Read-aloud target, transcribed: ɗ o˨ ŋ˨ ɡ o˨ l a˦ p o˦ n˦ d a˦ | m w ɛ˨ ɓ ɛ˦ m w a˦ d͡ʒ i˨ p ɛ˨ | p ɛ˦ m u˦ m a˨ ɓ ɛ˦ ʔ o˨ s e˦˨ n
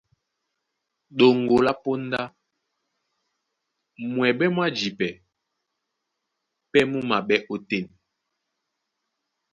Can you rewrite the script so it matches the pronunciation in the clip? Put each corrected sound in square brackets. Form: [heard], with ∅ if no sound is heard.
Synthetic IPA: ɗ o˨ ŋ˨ ɡ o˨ l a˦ p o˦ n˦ d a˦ | m w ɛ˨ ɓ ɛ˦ m w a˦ d͡ʒ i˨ p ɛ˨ | p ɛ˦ m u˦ m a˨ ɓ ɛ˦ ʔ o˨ [t] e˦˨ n